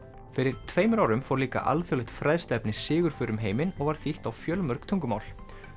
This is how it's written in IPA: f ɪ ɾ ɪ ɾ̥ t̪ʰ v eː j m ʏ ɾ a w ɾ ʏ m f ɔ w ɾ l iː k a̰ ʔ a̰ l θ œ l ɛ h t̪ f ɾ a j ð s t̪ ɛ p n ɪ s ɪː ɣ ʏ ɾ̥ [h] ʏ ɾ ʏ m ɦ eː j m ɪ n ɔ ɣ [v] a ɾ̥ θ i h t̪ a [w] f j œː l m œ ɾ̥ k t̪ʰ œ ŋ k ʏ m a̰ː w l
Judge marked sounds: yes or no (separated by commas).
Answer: no, yes, yes